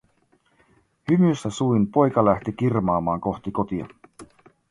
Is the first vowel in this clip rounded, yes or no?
yes